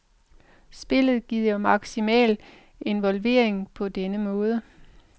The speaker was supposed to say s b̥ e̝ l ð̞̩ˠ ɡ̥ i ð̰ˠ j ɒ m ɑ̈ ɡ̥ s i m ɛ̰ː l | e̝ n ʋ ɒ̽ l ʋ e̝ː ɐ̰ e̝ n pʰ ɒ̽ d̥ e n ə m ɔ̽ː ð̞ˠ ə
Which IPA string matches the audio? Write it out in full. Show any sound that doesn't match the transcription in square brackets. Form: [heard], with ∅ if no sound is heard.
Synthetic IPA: s b̥ e̝ l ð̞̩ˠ ɡ̥ i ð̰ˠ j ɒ m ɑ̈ ɡ̥ s i m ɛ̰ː l | e̝ n ʋ ɒ̽ l ʋ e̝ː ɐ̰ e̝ [ŋ] pʰ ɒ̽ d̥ e n ə m ɔ̽ː ð̞ˠ ə